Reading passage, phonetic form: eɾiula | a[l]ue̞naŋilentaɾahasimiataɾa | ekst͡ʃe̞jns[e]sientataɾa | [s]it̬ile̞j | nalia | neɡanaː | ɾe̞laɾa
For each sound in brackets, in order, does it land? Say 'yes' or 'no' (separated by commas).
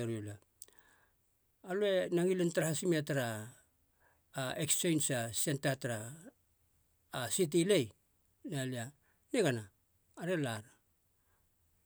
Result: yes, no, yes